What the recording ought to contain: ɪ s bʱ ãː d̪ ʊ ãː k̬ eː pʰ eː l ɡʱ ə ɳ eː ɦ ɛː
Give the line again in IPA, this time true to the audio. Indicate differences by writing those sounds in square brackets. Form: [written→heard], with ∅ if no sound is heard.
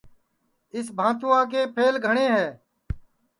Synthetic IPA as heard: ɪ s bʱ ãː [d̪→t̪] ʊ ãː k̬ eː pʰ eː l ɡʱ ə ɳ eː ɦ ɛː